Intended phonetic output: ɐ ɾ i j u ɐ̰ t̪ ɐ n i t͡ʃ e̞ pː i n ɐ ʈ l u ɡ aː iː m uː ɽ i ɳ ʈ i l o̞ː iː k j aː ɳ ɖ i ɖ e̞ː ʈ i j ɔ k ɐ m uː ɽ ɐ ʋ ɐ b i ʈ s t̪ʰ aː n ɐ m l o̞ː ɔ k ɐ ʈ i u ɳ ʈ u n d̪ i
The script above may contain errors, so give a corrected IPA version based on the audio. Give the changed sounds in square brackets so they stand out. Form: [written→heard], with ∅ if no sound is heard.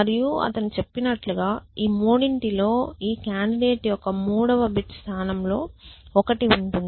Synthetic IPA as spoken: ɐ ɾ i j u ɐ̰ t̪ ɐ n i t͡ʃ e̞ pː i n ɐ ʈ l u ɡ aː iː m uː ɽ i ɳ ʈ i l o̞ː iː k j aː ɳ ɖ i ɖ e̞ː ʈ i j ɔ k ɐ m uː ɽ ɐ ʋ ɐ b i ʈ s t̪ʰ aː n ɐ m l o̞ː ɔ k ɐ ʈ i u ɳ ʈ u n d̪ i